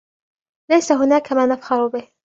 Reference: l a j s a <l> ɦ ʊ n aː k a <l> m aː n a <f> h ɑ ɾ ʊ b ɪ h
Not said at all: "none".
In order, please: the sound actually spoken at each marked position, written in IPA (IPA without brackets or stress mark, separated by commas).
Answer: none, none, f